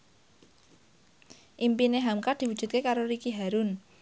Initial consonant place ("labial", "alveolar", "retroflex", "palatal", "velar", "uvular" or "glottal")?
glottal